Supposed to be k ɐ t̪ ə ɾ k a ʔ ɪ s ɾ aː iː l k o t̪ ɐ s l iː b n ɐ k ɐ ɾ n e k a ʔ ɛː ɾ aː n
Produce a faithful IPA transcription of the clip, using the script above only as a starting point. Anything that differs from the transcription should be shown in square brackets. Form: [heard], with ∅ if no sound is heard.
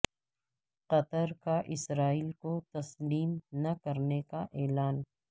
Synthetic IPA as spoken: [q] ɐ t̪ ə ɾ k a ʔ ɪ s ɾ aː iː l k o t̪ ɐ s l iː [m] n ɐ k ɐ ɾ n e k a ʔ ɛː [l] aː n